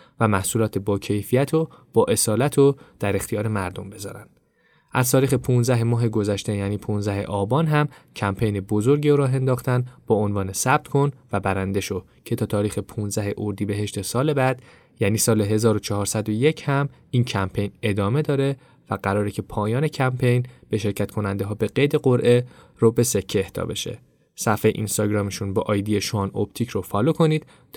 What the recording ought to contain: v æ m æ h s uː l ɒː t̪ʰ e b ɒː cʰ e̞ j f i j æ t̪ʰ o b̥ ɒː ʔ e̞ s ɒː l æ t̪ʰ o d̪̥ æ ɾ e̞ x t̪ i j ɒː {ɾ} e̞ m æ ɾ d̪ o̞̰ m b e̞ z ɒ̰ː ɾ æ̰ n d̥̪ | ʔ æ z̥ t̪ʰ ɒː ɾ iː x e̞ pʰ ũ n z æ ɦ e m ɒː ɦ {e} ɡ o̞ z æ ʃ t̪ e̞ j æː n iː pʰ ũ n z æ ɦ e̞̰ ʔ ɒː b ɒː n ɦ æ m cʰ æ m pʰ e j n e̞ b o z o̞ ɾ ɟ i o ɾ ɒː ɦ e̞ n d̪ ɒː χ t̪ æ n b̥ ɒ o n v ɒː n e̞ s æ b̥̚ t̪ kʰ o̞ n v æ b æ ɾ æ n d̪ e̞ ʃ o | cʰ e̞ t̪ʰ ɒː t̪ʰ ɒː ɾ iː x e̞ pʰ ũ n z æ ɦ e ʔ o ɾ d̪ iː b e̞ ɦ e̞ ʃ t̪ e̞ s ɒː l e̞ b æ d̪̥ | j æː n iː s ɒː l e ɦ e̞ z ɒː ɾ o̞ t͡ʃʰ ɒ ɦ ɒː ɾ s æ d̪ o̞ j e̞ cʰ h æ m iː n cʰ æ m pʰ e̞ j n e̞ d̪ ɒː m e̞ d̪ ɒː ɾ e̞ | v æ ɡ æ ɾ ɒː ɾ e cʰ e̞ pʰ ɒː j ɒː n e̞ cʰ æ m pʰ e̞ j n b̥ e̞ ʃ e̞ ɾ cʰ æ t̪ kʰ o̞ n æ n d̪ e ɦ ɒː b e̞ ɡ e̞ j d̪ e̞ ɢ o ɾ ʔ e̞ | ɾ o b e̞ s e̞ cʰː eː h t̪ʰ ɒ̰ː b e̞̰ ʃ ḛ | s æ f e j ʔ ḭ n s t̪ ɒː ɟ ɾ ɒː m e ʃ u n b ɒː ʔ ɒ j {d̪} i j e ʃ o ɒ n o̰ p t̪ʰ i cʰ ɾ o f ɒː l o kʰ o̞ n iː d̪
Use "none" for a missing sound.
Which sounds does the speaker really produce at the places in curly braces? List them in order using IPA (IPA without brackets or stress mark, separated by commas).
ɾ, e, d̪